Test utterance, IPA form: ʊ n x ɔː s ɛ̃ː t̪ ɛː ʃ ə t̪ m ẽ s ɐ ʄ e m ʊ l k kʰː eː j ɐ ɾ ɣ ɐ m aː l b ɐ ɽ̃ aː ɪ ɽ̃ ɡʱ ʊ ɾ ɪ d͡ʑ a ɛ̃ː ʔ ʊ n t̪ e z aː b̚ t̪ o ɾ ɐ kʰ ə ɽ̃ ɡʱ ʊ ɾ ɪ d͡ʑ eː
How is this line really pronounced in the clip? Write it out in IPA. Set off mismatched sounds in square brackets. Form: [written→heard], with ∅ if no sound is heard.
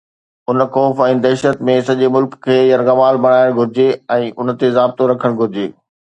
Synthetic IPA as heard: ʊ n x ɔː [s→f] ɛ̃ː [t̪→d̪] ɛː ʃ ə t̪ m ẽ s ɐ ʄ e m ʊ l k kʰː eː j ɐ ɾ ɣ ɐ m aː l b ɐ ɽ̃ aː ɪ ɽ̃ ɡʱ ʊ ɾ ɪ d͡ʑ [a→e] ɛ̃ː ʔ ʊ n t̪ e z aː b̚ t̪ o ɾ ɐ kʰ ə ɽ̃ ɡʱ ʊ ɾ ɪ d͡ʑ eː